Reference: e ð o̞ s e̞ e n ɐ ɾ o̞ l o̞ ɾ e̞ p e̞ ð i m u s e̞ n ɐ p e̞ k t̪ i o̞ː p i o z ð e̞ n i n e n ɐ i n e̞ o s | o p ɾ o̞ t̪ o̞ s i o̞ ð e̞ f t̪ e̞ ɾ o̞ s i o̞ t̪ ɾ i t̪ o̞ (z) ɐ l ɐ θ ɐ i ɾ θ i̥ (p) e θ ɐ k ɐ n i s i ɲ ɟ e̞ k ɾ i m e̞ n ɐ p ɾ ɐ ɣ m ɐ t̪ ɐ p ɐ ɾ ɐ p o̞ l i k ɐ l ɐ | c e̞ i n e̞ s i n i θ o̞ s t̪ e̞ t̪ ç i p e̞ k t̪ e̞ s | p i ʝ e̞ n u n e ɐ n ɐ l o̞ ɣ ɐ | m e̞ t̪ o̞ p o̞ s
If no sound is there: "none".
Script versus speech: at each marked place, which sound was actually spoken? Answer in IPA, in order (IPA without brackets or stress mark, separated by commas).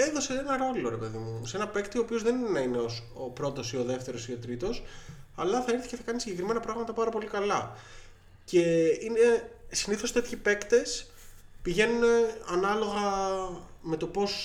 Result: s, c